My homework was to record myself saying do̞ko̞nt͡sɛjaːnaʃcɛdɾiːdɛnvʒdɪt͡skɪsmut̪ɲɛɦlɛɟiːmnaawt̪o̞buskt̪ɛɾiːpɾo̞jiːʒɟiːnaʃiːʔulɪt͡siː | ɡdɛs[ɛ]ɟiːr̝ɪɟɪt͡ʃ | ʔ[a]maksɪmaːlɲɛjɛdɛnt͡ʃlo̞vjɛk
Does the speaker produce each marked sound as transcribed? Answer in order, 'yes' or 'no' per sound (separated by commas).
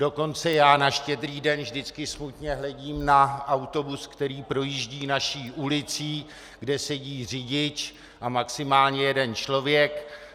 yes, yes